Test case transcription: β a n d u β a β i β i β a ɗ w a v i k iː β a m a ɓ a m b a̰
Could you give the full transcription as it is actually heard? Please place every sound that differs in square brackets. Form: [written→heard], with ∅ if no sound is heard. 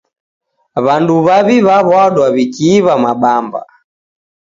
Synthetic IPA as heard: β a n d u β a β i β [i→a] β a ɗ w a [v→β] i k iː β a m a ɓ a m b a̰